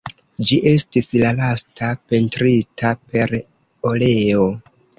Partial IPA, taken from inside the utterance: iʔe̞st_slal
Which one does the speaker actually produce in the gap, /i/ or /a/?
i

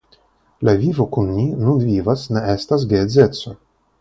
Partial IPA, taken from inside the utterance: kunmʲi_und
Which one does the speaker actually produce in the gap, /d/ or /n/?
n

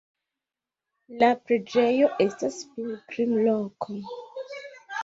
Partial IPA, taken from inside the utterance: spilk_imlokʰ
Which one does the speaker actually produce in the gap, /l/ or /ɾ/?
ɾ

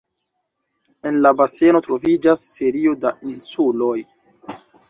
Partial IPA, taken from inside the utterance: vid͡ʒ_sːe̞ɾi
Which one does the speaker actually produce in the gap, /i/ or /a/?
a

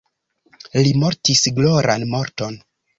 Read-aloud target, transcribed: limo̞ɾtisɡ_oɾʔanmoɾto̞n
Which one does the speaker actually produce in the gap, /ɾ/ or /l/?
l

